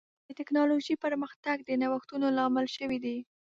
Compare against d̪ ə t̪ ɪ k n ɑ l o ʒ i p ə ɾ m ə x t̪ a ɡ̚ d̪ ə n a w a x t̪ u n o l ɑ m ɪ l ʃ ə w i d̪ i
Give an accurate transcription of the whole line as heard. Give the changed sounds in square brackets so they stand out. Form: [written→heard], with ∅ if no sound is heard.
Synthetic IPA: d̪ ə t̪ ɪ k n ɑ l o ʒ i p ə ɾ m ə x t̪ a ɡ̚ d̪ ə n a w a x t̪ u n o l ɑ m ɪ l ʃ ə w i d̪ i